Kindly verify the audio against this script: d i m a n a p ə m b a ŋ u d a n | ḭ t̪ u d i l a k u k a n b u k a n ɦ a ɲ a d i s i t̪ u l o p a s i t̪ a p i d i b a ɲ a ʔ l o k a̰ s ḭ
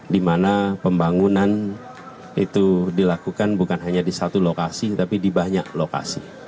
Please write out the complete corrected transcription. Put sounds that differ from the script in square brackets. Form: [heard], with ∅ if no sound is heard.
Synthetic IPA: d i m a n a p ə m b a ŋ u [n] a n | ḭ t̪ u d i l a k u k a n b u k a n ɦ a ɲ a d i s [a] t̪ u l o [k] a s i t̪ a p i d i b a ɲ a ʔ l o k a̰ s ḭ